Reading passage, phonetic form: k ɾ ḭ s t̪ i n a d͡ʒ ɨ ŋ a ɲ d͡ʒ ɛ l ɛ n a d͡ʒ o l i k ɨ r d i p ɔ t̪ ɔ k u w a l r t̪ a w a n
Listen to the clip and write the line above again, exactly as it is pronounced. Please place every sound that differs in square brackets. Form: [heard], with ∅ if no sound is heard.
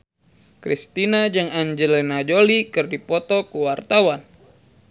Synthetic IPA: k ɾ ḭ s t̪ i n a d͡ʒ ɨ ŋ a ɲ d͡ʒ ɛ l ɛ n a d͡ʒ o l i k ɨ r d i p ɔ t̪ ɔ k u w a [∅] r t̪ a w a n